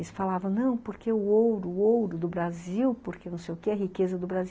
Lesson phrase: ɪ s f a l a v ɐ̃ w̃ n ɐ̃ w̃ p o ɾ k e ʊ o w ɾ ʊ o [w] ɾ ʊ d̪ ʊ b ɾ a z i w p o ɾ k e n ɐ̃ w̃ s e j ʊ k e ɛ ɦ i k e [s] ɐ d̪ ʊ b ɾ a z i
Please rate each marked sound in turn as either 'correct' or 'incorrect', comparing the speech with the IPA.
correct, incorrect

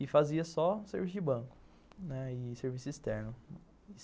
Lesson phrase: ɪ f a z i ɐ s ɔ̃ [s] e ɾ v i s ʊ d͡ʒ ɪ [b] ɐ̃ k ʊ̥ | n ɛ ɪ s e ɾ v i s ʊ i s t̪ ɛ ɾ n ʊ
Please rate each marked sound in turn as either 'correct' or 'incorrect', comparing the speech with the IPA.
correct, correct

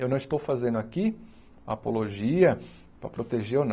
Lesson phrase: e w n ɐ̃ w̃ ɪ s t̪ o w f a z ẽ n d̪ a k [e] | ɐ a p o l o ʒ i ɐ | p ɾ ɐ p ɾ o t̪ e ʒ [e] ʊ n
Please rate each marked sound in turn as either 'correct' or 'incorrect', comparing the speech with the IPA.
incorrect, correct

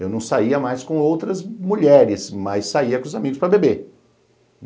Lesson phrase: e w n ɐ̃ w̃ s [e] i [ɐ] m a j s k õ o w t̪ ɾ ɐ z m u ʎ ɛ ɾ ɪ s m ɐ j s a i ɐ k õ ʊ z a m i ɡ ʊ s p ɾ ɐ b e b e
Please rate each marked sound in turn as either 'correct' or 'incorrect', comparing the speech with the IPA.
incorrect, correct

